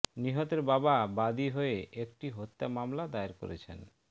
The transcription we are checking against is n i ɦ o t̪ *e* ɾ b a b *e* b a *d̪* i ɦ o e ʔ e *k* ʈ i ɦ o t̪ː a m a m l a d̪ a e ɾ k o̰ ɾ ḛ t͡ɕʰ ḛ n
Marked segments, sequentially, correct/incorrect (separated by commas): correct, incorrect, correct, correct